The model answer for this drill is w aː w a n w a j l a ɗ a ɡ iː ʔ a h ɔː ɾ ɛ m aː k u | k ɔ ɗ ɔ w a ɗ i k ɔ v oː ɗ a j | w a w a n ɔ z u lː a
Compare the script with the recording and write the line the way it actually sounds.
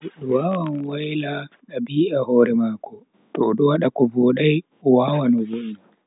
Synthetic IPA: w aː w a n w a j l a ɗ a b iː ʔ a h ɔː ɾ ɛ m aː k ɔ | t ɔ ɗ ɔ w a ɗ a k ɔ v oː ɗ a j | w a w a n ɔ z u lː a